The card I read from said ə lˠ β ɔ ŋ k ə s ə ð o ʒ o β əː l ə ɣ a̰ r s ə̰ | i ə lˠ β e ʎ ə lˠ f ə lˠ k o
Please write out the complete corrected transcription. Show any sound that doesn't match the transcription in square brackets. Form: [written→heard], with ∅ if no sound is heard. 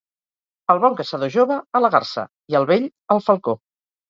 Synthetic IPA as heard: ə lˠ β ɔ ŋ k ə s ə ð o ʒ o β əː l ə ɣ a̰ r s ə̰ | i ə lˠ β e ʎ ə lˠ f ə lˠ k o